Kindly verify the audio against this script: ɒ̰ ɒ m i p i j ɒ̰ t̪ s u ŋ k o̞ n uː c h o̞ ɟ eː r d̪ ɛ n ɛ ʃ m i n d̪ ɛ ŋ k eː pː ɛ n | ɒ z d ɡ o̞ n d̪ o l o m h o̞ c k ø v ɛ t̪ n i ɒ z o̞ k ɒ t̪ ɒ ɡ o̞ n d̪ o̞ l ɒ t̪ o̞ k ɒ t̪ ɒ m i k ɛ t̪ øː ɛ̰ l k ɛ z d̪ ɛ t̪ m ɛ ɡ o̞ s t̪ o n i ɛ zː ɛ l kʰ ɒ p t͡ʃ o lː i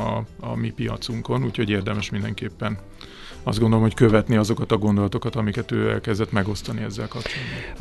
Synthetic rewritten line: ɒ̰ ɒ m i p i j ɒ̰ t̪ s u ŋ k o̞ n uː c h o̞ ɟ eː r d̪ ɛ m ɛ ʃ m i n d̪ ɛ ŋ k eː pː ɛ n | ɒ z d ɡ o̞ n d̪ o l o m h o̞ c k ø v ɛ t̪ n i ɒ z o̞ k ɒ t̪ ɒ ɡ o̞ n d̪ o̞ l ɒ t̪ o̞ k ɒ t̪ ɒ m i k ɛ t̪ øː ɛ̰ l k ɛ z d̪ ɛ t̪ m ɛ ɡ o̞ s t̪ ɒ n i ɛ zː ɛ l k ɒ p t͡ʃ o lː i